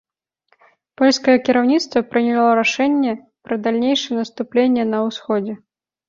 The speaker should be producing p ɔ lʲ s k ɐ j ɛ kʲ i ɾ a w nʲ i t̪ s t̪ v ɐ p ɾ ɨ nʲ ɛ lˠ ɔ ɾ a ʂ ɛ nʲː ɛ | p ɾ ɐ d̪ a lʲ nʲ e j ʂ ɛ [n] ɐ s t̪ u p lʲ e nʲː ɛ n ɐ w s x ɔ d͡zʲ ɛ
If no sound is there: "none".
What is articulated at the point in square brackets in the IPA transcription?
n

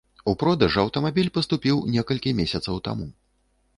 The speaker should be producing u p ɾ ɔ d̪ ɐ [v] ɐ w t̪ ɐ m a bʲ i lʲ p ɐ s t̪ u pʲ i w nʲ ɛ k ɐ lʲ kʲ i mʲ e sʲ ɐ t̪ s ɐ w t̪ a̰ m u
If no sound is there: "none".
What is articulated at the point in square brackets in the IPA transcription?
ʐ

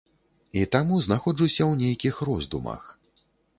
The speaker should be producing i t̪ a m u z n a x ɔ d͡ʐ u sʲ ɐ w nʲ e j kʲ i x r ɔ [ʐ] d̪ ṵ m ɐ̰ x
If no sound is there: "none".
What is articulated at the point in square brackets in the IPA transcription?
z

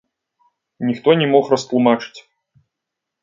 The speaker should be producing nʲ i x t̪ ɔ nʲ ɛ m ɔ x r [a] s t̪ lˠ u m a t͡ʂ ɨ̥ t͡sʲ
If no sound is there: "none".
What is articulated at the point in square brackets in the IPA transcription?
ɐ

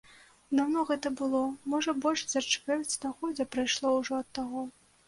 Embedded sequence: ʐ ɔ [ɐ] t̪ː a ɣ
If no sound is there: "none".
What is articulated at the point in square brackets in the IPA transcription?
ɐ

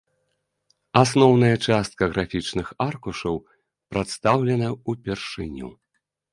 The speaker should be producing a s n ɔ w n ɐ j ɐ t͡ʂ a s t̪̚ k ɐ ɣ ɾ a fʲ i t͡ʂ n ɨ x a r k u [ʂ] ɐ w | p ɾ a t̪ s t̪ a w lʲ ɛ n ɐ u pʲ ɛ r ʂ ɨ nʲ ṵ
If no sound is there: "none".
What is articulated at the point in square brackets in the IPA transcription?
ʂ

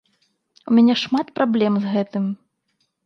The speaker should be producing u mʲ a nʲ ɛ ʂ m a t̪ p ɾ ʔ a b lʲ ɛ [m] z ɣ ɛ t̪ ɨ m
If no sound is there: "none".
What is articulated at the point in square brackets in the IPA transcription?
m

